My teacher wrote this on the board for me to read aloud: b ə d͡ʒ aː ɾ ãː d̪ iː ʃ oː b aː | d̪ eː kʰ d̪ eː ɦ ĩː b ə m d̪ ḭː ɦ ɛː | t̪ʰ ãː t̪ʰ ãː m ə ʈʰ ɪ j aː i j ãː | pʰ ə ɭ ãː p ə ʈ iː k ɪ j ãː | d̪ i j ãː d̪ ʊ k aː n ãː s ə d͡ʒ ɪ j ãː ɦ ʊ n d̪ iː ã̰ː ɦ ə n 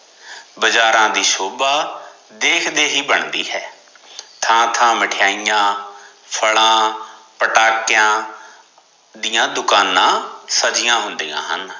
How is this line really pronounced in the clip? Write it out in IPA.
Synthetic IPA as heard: b ə d͡ʒ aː ɾ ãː d̪ iː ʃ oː b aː | d̪ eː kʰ d̪ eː ɦ iː b ə ɳ d̪ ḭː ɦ ɛː | t̪ʰ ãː t̪ʰ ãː m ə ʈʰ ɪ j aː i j ãː | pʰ ə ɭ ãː p ə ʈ aː k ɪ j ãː | d̪ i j ãː d̪ ʊ k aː n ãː s ə d͡ʒ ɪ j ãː ɦ ʊ n d̪ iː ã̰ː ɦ ə n